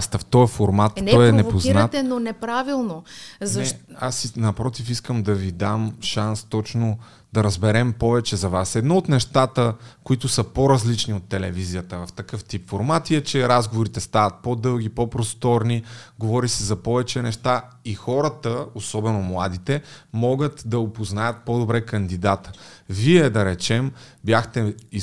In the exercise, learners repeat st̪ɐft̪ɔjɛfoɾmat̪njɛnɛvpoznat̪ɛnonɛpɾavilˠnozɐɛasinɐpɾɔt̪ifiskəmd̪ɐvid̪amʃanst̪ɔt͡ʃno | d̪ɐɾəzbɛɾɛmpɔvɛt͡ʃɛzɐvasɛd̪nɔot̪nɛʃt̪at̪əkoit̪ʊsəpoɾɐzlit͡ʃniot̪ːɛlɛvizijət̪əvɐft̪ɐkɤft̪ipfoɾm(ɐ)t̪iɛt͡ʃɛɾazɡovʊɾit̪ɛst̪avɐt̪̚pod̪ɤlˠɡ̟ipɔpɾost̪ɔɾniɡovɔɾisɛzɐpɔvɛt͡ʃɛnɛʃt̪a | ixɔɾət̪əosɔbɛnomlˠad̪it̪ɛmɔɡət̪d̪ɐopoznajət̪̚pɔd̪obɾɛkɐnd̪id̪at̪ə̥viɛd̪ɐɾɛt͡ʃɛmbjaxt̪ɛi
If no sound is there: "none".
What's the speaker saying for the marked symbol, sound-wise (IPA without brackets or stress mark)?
a